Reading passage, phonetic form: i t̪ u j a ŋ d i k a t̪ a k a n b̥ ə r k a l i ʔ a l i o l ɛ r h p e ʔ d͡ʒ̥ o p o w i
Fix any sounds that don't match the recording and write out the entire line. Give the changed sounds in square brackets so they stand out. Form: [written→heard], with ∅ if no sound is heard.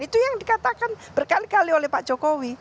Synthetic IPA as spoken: i t̪ u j a ŋ d i k a t̪ a k a n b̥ ə r k a l i [ʔ→k] a l i o l ɛ [r→∅] h p [e→a] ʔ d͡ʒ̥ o [p→k] o w i